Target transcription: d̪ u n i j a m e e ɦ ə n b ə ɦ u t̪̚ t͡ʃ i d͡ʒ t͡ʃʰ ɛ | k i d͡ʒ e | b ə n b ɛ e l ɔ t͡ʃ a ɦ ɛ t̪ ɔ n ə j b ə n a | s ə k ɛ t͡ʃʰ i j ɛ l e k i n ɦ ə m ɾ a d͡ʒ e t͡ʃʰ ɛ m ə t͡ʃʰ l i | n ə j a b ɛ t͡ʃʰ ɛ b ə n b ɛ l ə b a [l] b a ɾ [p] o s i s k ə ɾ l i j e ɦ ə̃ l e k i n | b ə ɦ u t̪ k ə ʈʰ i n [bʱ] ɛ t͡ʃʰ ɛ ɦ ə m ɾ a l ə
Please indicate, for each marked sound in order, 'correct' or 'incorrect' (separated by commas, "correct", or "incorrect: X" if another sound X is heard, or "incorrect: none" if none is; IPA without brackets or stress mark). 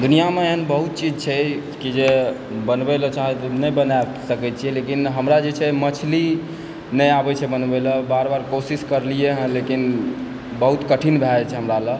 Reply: incorrect: ɾ, incorrect: k, correct